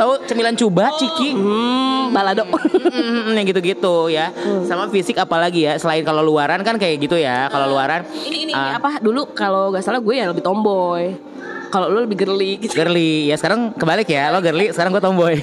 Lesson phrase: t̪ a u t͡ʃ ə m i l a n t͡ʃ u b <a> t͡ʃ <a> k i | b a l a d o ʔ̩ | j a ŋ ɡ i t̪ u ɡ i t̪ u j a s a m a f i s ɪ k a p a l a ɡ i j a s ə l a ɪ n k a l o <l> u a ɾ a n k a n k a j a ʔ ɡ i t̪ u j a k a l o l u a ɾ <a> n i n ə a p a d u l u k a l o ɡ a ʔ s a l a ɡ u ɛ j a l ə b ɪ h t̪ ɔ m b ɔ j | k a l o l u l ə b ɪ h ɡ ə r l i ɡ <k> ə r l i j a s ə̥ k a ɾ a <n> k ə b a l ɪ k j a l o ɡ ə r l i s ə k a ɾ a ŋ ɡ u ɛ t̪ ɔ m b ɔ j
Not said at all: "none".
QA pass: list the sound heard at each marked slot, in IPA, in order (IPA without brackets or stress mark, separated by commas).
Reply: a, i, l, a, ɡ, ŋ